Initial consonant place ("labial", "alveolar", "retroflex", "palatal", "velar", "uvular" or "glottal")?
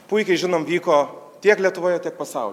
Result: labial